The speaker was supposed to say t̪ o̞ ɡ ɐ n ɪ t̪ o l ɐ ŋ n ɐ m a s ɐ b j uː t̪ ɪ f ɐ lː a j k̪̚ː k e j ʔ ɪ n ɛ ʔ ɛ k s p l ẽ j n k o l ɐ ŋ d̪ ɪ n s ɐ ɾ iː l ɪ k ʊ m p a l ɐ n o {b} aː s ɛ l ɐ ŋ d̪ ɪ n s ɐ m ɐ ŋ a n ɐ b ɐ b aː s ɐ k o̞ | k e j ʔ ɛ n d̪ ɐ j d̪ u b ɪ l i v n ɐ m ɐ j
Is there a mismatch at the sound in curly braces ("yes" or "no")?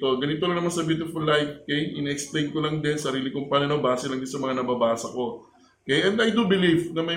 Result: no